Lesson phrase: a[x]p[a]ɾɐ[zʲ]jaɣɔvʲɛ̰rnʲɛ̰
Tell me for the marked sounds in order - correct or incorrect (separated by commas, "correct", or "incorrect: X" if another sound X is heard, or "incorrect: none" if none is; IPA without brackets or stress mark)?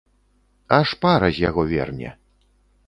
incorrect: ʂ, correct, correct